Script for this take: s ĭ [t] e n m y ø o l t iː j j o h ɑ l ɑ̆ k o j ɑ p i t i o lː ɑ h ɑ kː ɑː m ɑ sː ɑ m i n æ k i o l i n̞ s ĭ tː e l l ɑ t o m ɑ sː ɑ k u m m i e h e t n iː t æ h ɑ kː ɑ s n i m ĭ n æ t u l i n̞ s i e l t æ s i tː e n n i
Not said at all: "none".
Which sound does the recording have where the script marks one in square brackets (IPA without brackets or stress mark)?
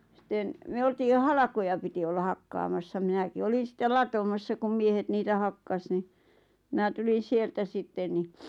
t